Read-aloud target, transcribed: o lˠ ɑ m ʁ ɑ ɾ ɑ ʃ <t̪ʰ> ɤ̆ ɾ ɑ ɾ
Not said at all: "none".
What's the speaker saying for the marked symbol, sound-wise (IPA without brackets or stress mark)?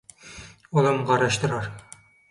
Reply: t̪